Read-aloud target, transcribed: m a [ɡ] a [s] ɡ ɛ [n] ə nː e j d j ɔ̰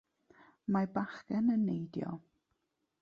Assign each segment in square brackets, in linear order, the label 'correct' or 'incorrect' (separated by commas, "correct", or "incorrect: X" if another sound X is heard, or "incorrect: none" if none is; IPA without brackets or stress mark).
incorrect: b, incorrect: χ, correct